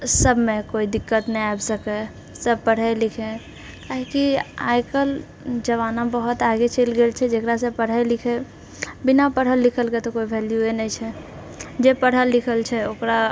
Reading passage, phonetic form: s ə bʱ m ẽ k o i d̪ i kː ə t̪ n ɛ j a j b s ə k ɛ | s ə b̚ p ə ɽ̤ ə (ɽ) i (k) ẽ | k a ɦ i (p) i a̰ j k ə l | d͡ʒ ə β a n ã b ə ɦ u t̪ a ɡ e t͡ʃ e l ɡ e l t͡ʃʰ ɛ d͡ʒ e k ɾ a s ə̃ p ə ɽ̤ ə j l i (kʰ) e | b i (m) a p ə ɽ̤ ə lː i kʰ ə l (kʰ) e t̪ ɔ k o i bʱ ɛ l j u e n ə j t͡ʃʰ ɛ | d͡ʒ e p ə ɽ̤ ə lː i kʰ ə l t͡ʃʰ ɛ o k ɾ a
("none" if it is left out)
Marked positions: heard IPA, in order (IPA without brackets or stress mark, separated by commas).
l, kʰ, k, kʰ, n, k